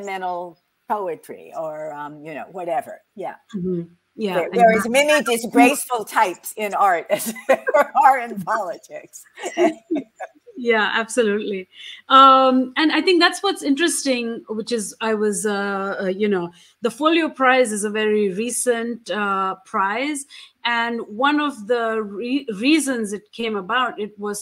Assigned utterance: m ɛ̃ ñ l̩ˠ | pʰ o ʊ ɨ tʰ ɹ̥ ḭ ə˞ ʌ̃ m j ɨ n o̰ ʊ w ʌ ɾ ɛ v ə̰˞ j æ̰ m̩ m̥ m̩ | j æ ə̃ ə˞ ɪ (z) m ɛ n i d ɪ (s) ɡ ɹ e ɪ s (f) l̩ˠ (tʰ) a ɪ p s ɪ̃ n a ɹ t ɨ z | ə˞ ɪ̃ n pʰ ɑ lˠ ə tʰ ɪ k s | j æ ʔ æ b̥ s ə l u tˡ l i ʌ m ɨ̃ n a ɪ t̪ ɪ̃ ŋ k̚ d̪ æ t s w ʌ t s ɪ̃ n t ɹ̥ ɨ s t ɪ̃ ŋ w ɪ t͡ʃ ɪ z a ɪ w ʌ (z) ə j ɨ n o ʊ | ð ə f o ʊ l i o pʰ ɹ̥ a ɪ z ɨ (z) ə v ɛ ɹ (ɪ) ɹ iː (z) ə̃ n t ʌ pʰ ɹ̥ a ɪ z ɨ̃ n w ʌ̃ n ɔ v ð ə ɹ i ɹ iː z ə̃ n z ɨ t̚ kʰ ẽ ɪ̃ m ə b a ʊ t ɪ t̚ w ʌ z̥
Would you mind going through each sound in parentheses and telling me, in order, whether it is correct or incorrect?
correct, correct, correct, correct, correct, correct, incorrect: i, incorrect: s

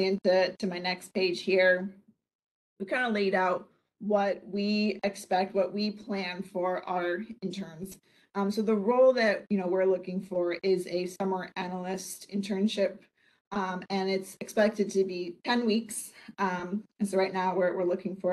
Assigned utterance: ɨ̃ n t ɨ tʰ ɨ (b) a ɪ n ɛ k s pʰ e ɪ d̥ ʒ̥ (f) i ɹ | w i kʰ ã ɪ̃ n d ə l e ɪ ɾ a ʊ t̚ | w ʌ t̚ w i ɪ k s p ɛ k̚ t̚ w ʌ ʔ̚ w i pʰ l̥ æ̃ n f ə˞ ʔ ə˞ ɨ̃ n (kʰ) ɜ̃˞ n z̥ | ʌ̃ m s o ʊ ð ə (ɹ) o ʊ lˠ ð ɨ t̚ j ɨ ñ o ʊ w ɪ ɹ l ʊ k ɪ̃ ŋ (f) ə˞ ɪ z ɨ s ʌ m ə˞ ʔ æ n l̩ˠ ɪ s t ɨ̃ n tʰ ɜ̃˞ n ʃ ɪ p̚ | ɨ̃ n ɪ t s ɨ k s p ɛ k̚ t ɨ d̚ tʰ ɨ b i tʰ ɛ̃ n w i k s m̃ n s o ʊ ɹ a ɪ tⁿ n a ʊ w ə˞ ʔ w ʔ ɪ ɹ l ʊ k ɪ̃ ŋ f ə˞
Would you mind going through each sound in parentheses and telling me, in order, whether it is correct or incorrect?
incorrect: m, incorrect: h, incorrect: tʰ, correct, correct

